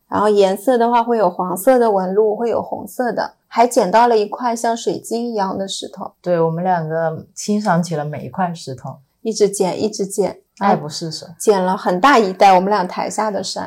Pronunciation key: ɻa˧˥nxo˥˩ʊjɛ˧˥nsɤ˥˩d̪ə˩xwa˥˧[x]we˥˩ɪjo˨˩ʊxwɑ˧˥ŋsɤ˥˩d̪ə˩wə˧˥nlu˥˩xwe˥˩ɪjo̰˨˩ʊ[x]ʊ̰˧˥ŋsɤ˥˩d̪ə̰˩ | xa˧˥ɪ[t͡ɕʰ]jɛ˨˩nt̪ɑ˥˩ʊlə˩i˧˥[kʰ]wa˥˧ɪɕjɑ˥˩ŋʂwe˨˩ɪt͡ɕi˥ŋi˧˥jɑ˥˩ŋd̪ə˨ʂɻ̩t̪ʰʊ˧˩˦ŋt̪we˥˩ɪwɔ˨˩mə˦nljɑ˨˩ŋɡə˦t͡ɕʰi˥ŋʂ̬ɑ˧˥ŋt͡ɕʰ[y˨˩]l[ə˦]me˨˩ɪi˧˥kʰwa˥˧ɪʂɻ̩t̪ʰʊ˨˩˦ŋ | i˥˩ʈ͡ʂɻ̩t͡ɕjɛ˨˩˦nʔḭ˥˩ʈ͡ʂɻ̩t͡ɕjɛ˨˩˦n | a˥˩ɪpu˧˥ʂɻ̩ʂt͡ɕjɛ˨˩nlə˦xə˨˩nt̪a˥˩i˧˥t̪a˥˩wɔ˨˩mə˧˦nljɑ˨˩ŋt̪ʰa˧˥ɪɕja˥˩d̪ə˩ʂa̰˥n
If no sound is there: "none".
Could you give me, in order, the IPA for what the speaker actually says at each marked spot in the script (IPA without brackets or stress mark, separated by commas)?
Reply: x, x, t͡ɕ, kʰ, i˨˩, ə˦